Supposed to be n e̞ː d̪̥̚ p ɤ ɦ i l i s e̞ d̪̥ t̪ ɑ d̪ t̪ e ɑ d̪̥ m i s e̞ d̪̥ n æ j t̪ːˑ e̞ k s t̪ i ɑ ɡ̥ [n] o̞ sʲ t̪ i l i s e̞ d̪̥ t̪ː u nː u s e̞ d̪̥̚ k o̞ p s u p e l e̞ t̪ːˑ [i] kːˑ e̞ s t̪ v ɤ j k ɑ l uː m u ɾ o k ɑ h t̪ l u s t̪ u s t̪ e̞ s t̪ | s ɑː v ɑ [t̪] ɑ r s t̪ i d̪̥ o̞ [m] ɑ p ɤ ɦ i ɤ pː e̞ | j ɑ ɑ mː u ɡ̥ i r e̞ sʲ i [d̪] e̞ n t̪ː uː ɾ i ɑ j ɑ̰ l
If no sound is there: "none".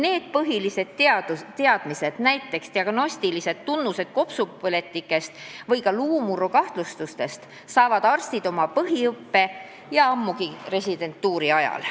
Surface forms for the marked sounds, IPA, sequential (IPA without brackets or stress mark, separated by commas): n, i, d̪, m, d̪